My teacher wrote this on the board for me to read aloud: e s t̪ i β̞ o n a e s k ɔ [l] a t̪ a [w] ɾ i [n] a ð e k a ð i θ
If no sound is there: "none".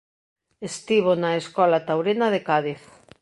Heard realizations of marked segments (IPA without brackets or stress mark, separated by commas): l, w, n